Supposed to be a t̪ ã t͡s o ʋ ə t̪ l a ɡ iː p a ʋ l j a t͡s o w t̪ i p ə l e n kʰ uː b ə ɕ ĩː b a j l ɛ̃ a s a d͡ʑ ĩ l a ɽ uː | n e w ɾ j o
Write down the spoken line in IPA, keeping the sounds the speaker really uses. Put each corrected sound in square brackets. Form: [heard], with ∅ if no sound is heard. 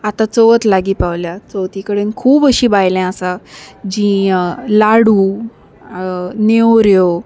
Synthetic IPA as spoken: a t̪ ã t͡s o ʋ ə t̪ l a ɡ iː p a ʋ l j a t͡s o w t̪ i [k] ə [ɽ] e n kʰ uː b ə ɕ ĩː b a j l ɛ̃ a s a d͡ʑ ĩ l a ɽ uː | n e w ɾ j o

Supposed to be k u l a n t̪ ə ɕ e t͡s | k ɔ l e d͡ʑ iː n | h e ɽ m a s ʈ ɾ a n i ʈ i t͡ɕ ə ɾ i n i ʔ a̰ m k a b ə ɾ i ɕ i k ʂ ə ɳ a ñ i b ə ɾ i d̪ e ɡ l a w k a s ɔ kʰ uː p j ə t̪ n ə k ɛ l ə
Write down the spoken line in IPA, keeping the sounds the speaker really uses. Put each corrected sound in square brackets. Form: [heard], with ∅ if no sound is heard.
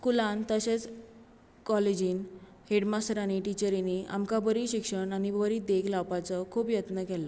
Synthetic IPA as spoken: k u l a n t̪ ə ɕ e t͡s | k ɔ l e d͡ʑ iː n | h e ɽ m a s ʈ ɾ a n i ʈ i t͡ɕ ə ɾ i n i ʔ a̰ m k a b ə ɾ i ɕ i k ʂ ə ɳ a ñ i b ə ɾ i d̪ e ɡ l a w [p] a [t͡s] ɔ kʰ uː p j ə t̪ n ə k ɛ l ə

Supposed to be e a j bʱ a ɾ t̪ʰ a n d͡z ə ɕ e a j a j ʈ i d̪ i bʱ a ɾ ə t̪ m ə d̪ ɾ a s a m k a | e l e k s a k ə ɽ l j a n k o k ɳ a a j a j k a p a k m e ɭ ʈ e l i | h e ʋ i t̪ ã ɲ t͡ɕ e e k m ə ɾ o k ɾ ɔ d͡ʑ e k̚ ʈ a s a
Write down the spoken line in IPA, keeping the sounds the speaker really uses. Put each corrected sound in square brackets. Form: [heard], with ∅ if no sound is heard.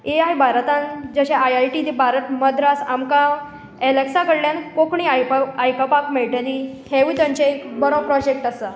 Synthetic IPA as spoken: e a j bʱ a ɾ [t̪] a n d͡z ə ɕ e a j a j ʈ i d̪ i bʱ a ɾ ə t̪ m ə d̪ ɾ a s a m k a | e l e k s a k ə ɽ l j a n k o k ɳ [i] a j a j k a p a k m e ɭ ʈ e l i | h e ʋ i t̪ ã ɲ t͡ɕ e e k [b] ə ɾ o [p] ɾ ɔ d͡ʑ e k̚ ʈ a s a

